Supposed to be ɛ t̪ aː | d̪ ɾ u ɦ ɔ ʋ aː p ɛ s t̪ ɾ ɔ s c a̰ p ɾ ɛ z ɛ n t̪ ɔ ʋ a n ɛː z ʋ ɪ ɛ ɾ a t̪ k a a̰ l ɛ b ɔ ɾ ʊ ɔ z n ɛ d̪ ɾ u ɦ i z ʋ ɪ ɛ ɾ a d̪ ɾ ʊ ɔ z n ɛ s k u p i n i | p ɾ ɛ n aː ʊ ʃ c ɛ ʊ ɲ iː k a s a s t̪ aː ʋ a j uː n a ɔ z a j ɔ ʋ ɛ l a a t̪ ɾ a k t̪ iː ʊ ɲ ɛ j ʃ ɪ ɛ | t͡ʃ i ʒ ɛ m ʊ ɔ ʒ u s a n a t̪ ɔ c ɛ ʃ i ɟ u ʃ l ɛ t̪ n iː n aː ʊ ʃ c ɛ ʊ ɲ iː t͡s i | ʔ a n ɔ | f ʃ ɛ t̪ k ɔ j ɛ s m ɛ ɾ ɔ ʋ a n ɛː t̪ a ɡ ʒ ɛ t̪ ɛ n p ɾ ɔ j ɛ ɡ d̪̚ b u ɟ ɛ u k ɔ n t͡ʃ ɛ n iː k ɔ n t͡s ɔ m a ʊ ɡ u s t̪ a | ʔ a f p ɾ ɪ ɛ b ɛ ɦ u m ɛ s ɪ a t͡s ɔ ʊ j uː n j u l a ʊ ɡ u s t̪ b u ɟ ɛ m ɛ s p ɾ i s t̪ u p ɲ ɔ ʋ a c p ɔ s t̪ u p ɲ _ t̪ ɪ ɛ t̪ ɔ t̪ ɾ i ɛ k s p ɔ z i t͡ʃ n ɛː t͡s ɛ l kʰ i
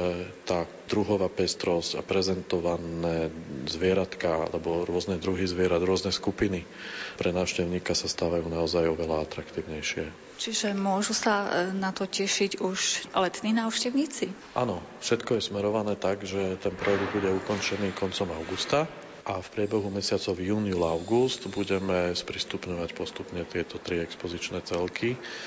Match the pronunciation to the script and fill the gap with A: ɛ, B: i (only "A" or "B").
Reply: A